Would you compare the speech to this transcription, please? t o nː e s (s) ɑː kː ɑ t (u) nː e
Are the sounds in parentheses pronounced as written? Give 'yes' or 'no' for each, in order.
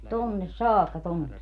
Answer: yes, no

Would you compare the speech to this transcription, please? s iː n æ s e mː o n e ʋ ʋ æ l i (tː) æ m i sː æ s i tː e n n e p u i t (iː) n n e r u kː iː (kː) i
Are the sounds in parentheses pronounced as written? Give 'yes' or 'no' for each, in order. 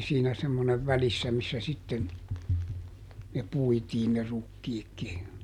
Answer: no, yes, yes

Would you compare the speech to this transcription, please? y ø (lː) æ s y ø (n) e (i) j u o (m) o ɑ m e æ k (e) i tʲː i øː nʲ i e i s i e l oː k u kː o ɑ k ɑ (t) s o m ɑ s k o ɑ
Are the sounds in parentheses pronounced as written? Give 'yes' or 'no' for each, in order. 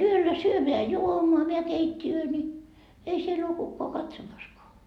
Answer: yes, no, no, yes, yes, yes

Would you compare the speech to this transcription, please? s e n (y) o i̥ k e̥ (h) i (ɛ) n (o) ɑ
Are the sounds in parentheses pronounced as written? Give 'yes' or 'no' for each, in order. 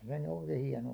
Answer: yes, yes, yes, yes

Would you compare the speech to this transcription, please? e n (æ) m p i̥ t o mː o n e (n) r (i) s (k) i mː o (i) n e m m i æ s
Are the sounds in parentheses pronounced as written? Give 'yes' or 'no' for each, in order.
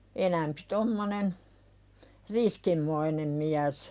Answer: yes, yes, yes, yes, yes

